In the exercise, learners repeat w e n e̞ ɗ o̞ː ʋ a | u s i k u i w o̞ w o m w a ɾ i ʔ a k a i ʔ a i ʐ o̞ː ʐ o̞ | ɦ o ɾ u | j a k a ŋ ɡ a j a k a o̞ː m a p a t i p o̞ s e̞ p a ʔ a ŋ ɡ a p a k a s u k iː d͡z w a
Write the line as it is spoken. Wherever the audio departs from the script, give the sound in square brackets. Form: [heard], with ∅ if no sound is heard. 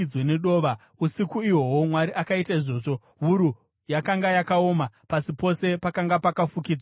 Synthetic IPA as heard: w e n e̞ ɗ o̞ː ʋ a | u s i k u i w o̞ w o m w a ɾ i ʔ a k a i [t] a i ʐ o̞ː ʐ o̞ | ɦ [u] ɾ u | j a k a ŋ ɡ a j a k a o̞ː m a p a [s] i p o̞ s e̞ p a [k] a ŋ ɡ a p a k a [f] u k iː d͡z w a